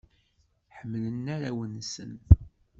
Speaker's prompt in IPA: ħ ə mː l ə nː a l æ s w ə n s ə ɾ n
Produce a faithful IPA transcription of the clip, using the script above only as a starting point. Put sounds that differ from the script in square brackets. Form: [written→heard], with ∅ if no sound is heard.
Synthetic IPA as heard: ħ ə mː l ə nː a [l→ɾ] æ [s→∅] w ə n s ə [ɾ→∅] n